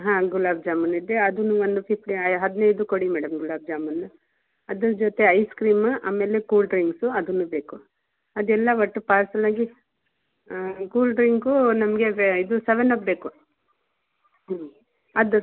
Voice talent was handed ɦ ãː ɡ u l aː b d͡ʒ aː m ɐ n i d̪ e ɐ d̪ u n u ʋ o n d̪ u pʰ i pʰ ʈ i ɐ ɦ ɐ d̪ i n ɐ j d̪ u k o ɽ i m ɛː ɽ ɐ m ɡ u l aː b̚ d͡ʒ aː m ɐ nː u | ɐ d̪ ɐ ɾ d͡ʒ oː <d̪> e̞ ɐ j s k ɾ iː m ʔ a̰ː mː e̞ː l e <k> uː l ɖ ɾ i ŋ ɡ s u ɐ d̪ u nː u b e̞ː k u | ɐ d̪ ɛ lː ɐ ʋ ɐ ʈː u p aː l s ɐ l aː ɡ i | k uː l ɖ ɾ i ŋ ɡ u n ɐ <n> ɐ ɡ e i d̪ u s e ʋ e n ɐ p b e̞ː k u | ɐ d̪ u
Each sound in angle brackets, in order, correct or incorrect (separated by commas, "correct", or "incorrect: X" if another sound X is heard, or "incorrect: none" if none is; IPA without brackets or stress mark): incorrect: t̪, correct, incorrect: m